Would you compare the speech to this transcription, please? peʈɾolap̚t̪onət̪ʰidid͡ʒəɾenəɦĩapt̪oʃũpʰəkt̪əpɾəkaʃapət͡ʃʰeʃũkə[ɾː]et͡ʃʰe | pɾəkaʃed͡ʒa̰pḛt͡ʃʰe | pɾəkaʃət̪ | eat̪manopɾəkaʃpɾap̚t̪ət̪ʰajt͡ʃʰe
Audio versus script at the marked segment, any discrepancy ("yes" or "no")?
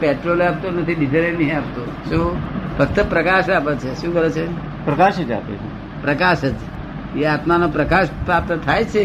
yes